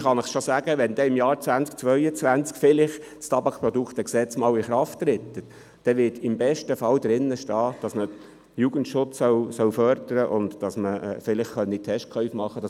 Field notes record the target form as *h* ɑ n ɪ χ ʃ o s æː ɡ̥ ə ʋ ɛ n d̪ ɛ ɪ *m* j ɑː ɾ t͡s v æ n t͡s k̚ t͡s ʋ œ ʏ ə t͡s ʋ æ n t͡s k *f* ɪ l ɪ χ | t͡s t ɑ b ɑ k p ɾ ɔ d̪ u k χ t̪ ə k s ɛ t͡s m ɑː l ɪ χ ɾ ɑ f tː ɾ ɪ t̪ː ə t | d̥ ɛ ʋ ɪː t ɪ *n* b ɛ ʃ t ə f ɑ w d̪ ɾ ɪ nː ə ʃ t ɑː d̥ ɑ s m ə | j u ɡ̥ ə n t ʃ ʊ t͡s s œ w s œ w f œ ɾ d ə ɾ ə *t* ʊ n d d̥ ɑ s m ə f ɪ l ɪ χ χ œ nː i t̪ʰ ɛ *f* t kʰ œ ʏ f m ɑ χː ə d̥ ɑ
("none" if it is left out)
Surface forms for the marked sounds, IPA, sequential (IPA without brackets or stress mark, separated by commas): χ, m, f, m, ʔ, ʃ